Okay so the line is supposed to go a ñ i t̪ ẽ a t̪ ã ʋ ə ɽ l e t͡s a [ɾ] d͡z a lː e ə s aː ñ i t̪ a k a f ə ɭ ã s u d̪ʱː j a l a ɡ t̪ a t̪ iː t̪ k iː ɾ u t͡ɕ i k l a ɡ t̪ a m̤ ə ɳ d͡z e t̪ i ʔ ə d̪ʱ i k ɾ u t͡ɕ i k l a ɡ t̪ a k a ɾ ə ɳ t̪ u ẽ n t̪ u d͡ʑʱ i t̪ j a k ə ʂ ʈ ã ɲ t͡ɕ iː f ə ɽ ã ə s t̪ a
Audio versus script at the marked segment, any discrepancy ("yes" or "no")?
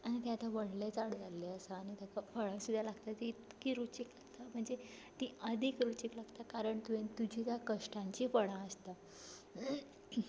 yes